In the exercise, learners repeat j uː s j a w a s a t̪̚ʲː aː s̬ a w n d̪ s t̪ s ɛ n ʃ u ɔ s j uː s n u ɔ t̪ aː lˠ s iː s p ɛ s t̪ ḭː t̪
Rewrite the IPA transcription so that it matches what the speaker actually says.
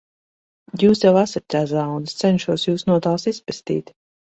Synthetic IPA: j uː s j a w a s a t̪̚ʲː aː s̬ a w n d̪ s t̪ s ɛ n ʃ u ɔ s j uː s n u ɔ t̪ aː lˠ s i s p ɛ s t̪ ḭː t̪